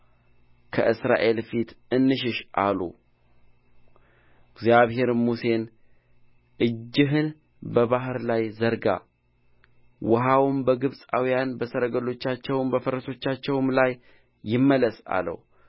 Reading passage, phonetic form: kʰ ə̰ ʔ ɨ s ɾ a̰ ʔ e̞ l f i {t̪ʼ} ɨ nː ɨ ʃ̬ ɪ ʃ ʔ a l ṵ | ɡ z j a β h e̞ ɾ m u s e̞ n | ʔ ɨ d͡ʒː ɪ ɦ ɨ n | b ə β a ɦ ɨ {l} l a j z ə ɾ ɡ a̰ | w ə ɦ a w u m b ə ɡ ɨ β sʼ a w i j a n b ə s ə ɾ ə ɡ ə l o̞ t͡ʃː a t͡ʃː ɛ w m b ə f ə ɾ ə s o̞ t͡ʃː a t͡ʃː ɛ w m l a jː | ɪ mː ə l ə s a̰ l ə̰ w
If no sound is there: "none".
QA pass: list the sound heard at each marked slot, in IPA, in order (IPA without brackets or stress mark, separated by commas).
t̪, ɾ